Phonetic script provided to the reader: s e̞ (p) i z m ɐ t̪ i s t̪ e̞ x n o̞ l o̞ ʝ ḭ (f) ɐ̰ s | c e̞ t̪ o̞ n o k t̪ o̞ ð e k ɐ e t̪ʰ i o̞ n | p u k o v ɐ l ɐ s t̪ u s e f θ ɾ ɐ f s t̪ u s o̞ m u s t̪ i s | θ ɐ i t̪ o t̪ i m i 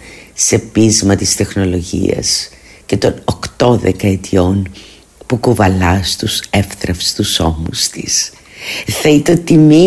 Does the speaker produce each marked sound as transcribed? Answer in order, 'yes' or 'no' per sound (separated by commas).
yes, no